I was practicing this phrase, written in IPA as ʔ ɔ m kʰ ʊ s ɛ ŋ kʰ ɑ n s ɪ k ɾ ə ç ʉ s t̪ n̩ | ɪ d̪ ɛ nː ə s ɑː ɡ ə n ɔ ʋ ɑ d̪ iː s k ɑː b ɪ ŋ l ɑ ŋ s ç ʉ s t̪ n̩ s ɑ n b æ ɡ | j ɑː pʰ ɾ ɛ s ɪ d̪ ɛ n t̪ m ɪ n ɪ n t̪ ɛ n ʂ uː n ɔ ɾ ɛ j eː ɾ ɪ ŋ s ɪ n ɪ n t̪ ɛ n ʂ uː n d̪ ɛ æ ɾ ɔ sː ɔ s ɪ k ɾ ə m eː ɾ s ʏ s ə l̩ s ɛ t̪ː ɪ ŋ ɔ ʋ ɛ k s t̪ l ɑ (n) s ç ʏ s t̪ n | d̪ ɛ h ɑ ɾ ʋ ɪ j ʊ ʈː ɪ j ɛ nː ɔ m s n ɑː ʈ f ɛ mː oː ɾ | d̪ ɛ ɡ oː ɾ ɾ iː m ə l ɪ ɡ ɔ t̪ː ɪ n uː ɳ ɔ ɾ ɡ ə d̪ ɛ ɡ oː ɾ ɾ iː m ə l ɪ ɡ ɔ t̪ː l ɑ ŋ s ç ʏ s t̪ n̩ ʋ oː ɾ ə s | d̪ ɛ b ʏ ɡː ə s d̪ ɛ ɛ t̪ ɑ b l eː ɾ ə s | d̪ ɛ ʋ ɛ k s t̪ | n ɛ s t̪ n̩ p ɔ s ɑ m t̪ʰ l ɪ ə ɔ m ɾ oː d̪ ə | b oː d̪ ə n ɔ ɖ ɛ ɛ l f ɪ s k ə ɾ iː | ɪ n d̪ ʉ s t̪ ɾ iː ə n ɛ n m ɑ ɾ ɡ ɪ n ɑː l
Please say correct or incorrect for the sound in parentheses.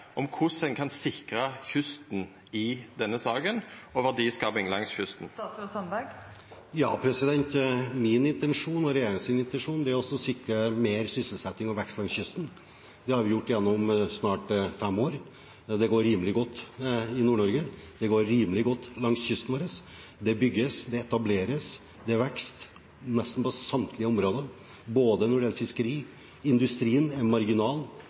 incorrect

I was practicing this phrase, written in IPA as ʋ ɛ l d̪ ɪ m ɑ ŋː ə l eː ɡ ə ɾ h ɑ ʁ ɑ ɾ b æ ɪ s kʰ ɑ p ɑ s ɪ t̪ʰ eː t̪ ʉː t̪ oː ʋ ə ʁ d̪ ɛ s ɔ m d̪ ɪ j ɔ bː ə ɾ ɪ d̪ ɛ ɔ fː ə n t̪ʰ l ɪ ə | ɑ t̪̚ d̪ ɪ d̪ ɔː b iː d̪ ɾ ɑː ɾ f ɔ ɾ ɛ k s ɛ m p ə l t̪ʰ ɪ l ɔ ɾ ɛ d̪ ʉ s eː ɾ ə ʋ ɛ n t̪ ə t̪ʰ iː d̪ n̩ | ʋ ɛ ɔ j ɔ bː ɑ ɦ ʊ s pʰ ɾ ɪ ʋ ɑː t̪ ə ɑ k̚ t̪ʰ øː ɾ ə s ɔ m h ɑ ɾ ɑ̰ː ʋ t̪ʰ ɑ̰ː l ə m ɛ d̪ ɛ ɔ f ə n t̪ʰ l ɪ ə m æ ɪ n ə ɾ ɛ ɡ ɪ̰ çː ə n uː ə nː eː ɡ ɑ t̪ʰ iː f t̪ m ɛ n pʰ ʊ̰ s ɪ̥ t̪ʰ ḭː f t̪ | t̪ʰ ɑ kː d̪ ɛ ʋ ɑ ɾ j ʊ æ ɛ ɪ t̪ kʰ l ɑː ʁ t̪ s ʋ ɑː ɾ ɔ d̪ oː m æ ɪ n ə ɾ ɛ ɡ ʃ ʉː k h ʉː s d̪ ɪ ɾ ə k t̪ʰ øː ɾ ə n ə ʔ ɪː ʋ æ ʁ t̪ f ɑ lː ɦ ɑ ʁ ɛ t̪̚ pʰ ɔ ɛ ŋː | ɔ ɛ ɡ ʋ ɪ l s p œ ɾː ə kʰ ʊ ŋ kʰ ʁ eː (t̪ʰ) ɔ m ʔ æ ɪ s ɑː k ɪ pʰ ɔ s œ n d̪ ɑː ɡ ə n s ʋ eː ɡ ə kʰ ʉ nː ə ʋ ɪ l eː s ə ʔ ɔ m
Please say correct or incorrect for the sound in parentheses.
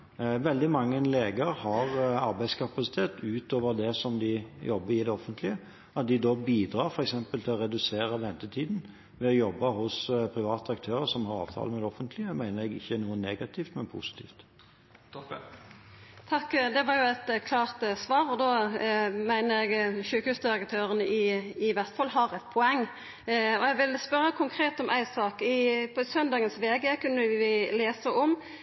incorrect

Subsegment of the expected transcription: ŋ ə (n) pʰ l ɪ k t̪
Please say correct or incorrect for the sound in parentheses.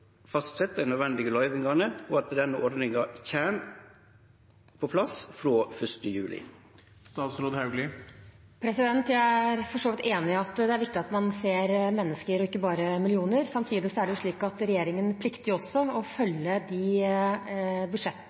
correct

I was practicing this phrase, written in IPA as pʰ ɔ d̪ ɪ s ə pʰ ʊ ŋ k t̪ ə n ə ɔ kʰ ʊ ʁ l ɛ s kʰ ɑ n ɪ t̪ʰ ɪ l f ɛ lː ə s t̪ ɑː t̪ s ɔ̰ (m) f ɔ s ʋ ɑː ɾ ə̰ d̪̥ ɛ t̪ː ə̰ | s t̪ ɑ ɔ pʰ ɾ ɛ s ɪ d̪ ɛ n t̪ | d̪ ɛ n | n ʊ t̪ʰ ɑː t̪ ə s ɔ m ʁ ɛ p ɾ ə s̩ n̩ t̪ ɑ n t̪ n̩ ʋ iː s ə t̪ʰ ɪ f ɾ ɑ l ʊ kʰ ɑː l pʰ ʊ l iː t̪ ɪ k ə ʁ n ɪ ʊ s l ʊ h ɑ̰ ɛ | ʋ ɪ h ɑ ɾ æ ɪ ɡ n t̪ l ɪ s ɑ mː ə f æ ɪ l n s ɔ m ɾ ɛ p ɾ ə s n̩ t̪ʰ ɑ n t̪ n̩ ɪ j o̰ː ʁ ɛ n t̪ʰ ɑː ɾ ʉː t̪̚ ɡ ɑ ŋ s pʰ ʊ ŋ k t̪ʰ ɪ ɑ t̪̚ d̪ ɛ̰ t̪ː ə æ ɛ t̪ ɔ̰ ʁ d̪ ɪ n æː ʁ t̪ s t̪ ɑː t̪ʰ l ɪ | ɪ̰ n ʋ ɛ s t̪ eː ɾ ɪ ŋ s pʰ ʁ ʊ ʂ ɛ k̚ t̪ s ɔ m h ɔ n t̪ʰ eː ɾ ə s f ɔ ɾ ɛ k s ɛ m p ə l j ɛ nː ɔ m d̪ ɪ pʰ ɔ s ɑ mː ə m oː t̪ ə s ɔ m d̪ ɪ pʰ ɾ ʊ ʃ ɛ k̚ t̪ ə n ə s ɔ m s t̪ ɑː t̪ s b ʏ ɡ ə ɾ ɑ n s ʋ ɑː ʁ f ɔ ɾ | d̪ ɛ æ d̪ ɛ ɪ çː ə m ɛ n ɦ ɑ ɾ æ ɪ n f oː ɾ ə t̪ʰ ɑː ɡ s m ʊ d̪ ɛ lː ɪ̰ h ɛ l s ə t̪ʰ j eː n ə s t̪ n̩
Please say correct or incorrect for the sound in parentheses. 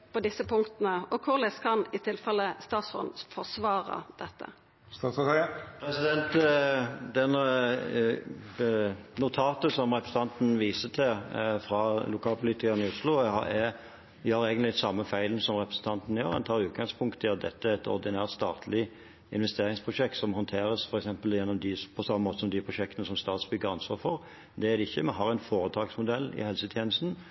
incorrect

